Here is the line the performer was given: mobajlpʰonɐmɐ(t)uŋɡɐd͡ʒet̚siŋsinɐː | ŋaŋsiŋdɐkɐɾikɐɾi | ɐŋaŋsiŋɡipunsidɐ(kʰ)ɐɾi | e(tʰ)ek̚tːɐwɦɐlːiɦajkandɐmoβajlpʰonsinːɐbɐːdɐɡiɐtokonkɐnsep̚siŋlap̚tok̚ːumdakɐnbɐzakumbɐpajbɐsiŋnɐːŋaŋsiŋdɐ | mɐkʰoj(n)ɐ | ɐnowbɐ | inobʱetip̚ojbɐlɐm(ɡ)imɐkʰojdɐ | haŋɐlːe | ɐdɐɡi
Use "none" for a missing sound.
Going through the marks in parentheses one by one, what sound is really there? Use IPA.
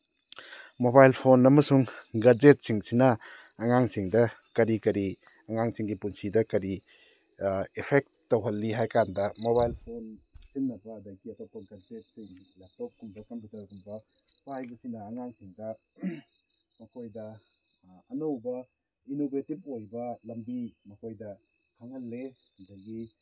s, k, pʰ, d, b

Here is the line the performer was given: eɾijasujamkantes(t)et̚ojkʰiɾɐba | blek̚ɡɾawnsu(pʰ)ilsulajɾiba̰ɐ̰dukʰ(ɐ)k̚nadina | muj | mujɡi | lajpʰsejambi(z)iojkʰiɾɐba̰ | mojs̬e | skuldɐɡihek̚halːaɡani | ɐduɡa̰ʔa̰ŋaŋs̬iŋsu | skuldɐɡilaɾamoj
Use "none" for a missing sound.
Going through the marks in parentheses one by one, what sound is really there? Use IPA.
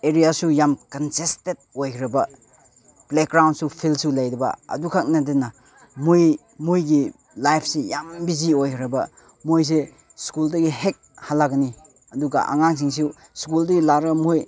t, pʰ, a, z

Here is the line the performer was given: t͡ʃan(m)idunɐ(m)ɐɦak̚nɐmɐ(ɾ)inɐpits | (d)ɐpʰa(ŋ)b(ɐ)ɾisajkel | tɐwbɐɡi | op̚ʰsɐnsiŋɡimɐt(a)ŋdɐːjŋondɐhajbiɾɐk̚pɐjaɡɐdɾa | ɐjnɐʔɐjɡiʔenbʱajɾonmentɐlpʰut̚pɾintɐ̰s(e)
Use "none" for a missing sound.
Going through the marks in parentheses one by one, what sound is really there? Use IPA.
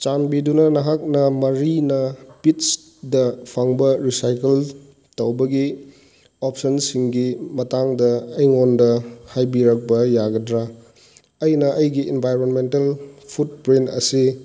b, n, ɾ, d, ŋ, ɐ, a, i

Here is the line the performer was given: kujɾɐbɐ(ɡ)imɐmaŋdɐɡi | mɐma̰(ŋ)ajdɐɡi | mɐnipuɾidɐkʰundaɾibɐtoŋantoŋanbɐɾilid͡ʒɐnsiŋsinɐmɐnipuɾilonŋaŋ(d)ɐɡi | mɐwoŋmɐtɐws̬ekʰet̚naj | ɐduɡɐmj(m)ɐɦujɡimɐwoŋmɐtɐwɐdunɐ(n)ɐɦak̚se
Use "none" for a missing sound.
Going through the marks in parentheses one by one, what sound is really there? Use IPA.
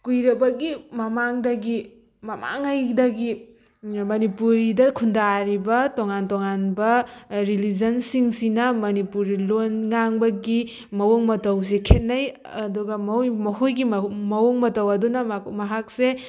ɡ, ŋ, b, m, m

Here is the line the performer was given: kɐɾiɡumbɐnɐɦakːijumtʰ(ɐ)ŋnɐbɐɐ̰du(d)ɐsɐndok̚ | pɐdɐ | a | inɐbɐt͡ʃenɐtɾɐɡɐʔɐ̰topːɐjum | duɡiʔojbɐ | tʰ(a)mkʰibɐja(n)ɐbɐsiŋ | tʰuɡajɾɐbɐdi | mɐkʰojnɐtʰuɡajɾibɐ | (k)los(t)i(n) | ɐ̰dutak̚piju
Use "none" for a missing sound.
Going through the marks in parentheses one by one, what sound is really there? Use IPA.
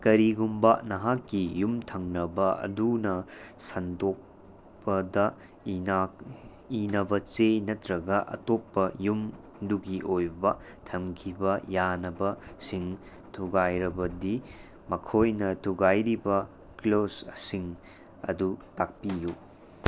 ɐ, n, ɐ, n, k, s, ŋ

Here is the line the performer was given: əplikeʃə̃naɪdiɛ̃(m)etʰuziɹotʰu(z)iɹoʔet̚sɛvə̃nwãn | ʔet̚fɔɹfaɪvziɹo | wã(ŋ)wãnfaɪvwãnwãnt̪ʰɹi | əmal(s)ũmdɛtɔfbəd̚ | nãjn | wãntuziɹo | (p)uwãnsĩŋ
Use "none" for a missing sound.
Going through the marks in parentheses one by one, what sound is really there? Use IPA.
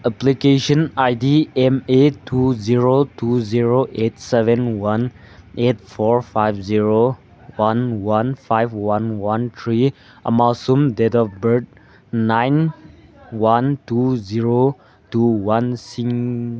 m, z, n, s, t

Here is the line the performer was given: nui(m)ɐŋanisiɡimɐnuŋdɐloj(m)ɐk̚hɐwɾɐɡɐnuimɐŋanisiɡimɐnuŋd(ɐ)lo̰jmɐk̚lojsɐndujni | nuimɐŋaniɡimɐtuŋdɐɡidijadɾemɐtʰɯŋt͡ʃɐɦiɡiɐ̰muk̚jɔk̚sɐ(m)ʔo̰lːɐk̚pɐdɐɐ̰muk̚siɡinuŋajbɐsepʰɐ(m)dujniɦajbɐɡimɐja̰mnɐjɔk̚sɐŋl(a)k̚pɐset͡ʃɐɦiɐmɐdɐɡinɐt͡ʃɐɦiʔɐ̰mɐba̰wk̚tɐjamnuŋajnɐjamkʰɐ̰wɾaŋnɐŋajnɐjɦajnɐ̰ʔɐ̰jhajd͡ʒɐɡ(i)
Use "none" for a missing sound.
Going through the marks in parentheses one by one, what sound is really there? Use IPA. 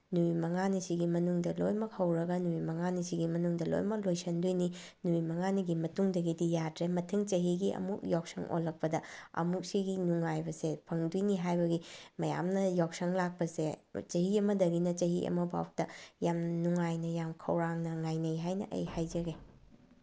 m, m, ɐ, ŋ, ŋ, a, e

